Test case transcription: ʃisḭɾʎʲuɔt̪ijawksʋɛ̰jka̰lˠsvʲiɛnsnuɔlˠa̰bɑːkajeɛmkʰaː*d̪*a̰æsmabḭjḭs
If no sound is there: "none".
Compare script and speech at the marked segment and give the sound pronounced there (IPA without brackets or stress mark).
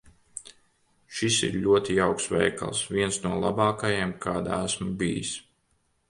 d̪